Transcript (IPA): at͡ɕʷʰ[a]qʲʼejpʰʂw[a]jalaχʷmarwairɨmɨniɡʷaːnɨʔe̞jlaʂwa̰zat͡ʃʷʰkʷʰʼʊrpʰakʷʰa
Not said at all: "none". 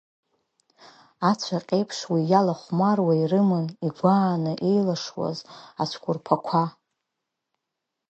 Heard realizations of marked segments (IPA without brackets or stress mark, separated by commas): a, i